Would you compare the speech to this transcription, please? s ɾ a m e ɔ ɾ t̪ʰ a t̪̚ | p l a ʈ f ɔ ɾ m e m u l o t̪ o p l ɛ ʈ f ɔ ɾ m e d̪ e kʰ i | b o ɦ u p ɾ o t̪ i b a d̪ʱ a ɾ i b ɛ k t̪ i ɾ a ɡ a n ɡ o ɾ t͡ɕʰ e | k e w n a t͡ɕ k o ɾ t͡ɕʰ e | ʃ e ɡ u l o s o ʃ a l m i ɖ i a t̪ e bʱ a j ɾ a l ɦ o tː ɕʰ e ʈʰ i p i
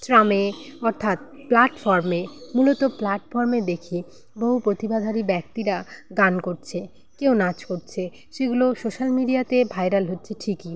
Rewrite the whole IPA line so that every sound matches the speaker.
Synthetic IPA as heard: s ɾ a m e ɔ ɾ t̪ʰ a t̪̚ | p l a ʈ f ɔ ɾ m e m u l o t̪ o p l a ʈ f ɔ ɾ m e d̪ e kʰ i | b o ɦ u p ɾ o t̪ i b a d̪ʱ a ɾ i b ɛ k t̪ i ɾ a ɡ a n k o ɾ t͡ɕʰ e | k e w n a t͡ɕ k o ɾ t͡ɕʰ e | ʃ e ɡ u l o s o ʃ a l m i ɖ i a t̪ e bʱ a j ɾ a l ɦ o tː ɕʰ e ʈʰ i k i